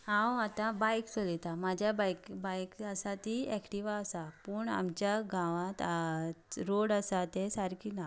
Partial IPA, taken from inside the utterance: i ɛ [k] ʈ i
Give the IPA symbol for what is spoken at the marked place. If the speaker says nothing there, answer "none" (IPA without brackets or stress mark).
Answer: k